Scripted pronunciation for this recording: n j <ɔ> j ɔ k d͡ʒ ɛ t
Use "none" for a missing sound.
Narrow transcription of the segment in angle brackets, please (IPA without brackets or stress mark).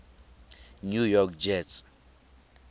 u